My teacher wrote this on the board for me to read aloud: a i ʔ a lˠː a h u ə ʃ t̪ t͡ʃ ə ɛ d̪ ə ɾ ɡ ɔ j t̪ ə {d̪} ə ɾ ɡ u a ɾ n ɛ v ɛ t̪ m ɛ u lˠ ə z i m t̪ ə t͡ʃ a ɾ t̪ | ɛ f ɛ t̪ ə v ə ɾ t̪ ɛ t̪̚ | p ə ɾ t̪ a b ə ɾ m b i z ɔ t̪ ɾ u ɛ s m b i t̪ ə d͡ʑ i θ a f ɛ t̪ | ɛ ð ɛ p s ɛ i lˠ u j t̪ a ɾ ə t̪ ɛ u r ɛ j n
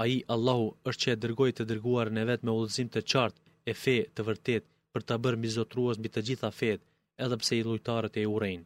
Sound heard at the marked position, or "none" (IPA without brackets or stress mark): d̪